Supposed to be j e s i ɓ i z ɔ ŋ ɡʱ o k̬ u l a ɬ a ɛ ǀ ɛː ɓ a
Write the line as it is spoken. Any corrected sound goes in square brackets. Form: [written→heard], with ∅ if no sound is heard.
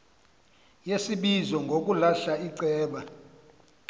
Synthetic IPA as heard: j e s i ɓ i z ɔ ŋ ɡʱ o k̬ u l a ɬ a [ɛ→i] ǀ ɛː ɓ a